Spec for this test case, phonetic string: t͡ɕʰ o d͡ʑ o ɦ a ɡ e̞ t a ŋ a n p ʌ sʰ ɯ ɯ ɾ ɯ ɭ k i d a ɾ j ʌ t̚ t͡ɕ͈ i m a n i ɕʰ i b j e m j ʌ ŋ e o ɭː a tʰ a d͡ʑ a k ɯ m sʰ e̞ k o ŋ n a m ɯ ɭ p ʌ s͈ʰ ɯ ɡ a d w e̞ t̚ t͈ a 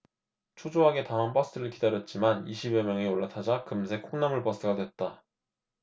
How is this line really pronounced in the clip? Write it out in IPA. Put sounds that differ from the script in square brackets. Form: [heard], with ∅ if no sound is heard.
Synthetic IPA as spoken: t͡ɕʰ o d͡ʑ o ɦ a ɡ e̞ t a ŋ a n p ʌ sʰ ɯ ɯ ɾ ɯ ɭ k i d a ɾ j ʌ t̚ t͡ɕ͈ i m a n i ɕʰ i b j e m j ʌ ŋ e o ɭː a tʰ a d͡ʑ a k ɯ m sʰ e̞ [kʰ] o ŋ n a m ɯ ɭ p ʌ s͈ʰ ɯ ɡ a d w e̞ t̚ t͈ a